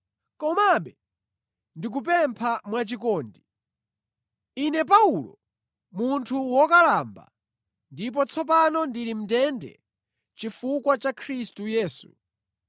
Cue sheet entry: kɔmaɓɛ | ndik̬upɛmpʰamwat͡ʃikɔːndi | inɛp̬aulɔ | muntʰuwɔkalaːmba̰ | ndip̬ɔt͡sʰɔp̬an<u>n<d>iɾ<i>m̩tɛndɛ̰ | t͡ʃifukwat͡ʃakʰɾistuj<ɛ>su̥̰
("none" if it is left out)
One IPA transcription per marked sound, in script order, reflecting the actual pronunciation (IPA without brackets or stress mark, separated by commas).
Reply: ɔ, d, i, ɛː